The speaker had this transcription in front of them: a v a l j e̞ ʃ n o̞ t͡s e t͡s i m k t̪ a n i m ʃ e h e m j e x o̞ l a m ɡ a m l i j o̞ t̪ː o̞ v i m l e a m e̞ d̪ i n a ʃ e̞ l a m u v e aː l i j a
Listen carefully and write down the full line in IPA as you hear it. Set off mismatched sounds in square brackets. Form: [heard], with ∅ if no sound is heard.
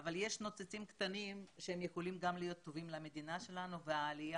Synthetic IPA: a v a l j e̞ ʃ n o̞ t͡s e t͡s i m k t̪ a n i m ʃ e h e m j e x o̞ l [i] m ɡ a m l i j o̞ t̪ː o̞ v i m l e a m e̞ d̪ i n a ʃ e̞ l a [n] u v e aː l i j a